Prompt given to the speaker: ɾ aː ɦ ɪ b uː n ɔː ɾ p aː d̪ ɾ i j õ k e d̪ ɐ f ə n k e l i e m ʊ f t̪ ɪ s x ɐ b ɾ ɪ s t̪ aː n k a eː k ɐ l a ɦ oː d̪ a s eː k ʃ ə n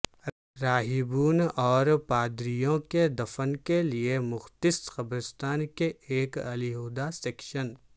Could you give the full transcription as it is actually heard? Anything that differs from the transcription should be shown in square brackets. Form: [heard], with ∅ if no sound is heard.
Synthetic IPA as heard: ɾ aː ɦ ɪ b uː n ɔː ɾ p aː d̪ ɾ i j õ k e d̪ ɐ f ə n k e l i e m ʊ [x] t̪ ɪ s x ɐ b ɾ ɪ s t̪ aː n k [e] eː k ɐ l [i] ɦ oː d̪ a s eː k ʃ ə n

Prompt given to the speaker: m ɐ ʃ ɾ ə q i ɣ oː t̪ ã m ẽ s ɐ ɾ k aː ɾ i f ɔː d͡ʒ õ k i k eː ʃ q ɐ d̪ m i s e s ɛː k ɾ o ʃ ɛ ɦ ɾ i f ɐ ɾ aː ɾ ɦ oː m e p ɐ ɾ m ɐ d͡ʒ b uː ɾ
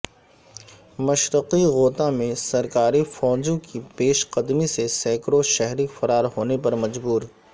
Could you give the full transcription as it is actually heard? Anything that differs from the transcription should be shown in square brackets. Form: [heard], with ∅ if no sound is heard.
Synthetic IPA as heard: m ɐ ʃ ɾ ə q i ɣ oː t̪ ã m ẽ s ɐ ɾ k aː ɾ i f ɔː d͡ʒ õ k i [p] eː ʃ q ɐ d̪ m i s e s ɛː k ɾ o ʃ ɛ ɦ ɾ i f ɐ ɾ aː ɾ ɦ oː [n] e p ɐ ɾ m ɐ d͡ʒ b uː ɾ

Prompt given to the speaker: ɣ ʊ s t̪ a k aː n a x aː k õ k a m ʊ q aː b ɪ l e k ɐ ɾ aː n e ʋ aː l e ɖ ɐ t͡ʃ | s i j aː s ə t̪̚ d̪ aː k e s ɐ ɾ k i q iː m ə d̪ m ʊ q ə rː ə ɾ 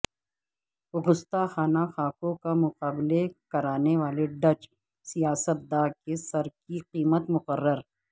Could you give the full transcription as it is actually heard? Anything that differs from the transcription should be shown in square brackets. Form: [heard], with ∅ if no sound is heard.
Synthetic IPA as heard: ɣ ʊ s t̪ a [x] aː n a x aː k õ k a m ʊ q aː b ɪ l e k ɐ ɾ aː n e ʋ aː l e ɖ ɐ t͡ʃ | s i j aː s ə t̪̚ d̪ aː k e s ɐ ɾ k i q iː m ə [t̪] m ʊ q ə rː ə ɾ

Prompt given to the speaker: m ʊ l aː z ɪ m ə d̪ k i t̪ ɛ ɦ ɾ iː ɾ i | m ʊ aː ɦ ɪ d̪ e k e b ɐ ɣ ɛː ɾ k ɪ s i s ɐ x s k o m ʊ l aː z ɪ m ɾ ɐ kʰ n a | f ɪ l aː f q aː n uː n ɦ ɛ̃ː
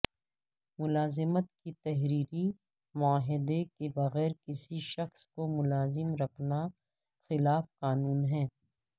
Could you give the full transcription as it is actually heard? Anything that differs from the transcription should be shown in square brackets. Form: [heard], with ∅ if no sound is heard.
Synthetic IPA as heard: m ʊ l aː z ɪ m ə [t̪] k i t̪ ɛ ɦ ɾ iː ɾ i | m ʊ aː ɦ ɪ d̪ e k e b ɐ ɣ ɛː ɾ k ɪ s i [ʃ] ɐ x s k o m ʊ l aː z ɪ m ɾ ɐ kʰ n a | [x] ɪ l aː f q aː n uː n ɦ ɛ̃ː

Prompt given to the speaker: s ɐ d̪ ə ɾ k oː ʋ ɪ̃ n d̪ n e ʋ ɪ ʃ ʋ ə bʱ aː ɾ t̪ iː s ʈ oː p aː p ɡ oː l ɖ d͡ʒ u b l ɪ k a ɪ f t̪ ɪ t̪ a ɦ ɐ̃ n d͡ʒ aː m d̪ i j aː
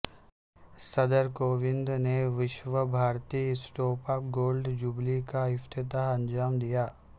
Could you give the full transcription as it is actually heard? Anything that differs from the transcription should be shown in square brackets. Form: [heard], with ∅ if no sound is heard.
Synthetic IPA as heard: s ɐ d̪ ə ɾ k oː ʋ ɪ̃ n d̪ n e ʋ ɪ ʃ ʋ ə bʱ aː ɾ t̪ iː s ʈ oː p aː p ɡ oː l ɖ d͡ʒ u b l [i] k a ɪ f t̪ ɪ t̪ a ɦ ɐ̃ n d͡ʒ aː m d̪ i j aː

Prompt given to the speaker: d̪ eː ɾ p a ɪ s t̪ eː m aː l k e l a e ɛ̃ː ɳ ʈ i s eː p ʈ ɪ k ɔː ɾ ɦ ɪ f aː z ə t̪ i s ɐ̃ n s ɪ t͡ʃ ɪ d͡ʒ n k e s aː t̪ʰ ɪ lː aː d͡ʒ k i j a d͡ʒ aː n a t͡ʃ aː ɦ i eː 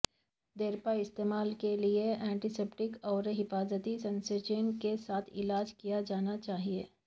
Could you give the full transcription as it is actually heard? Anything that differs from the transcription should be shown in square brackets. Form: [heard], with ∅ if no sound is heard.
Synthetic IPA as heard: d̪ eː ɾ p a ɪ s t̪ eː m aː l k e l [i] e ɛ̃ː ɳ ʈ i s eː p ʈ ɪ k ɔː ɾ ɦ ɪ f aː z ə t̪ i s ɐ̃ n s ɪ t͡ʃ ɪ [∅] n k e s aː t̪ʰ ɪ [l] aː d͡ʒ k i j a d͡ʒ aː n a t͡ʃ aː ɦ i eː

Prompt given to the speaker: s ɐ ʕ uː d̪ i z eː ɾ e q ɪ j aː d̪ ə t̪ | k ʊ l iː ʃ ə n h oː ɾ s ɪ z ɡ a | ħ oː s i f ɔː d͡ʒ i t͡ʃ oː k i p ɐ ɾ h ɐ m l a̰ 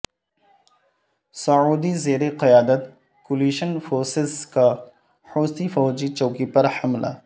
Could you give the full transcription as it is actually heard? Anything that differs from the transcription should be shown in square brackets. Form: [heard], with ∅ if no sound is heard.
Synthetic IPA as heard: s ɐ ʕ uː d̪ i z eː ɾ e q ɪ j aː d̪ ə t̪ | k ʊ l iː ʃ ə n [f] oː ɾ s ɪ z [k] a | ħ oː s i f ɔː d͡ʒ i t͡ʃ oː k i p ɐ ɾ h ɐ m l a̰

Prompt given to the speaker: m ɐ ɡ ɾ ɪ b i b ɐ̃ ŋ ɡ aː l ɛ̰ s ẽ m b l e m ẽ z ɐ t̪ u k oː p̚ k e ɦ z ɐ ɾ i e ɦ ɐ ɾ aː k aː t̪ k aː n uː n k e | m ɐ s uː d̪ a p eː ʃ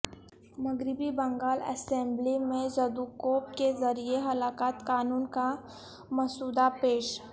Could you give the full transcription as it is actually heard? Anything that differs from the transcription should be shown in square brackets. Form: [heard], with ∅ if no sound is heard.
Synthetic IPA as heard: m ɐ ɡ ɾ ɪ b i b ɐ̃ ŋ ɡ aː l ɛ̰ s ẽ m b l [i] m ẽ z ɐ [d̪] u k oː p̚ k e [∅] z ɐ ɾ i e ɦ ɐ [l] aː k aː t̪ k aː n uː n k [a] | m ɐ s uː d̪ a p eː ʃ

